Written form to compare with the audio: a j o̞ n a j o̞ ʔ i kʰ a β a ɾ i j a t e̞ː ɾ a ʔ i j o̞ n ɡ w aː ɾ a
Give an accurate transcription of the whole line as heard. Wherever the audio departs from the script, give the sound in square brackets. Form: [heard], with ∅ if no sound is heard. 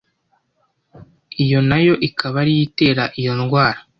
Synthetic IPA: [i] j o̞ n a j o̞ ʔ i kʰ a β a ɾ i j [i] t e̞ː ɾ a ʔ i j o̞ n ɡ w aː ɾ a